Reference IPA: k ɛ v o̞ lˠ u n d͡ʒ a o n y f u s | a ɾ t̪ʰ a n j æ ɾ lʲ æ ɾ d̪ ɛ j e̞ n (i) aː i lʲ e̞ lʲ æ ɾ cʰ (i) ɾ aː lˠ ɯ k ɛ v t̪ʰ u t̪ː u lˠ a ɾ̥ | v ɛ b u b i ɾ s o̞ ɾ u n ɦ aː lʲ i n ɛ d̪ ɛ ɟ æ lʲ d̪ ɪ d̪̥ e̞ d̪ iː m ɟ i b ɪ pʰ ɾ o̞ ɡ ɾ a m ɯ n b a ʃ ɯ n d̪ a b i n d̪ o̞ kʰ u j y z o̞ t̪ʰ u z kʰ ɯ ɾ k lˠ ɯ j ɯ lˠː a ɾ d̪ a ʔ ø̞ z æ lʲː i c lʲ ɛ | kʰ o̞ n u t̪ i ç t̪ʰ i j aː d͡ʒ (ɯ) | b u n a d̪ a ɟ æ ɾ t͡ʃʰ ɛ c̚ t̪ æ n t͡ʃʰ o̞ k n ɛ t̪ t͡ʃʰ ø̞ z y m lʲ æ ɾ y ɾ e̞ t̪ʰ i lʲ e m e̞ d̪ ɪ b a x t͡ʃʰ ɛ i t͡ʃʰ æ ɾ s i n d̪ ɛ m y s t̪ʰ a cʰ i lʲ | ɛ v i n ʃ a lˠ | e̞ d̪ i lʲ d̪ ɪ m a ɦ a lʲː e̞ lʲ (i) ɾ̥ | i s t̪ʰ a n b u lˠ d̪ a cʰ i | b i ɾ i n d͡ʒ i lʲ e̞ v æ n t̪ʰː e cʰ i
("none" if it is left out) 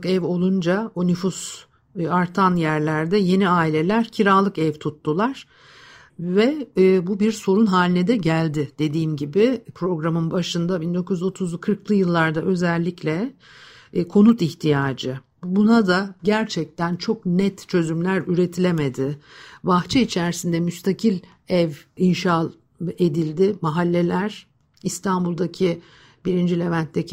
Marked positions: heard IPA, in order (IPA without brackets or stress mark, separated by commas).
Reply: i, i, ɯ, æ